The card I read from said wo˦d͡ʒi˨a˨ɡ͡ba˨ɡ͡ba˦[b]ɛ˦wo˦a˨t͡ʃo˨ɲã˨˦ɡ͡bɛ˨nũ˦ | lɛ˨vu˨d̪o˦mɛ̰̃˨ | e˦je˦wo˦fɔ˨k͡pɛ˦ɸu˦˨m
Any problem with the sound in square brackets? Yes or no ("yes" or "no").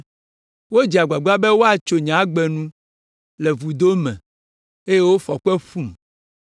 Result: no